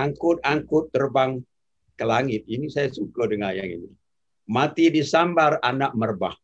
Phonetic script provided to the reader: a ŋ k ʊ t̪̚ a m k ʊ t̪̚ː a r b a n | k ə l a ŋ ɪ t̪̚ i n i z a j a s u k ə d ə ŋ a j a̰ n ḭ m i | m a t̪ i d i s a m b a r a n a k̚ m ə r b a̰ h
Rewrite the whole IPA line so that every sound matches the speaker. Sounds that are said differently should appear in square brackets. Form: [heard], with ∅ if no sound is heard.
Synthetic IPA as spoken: a ŋ k ʊ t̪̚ a [ŋ] k ʊ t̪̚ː [ə] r b a [ŋ] | k ə l a ŋ ɪ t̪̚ i n i [s] a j a s u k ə d ə ŋ a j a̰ [ŋ] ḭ [n] i | m a t̪ i d i s a m b a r a n a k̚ m ə r b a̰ h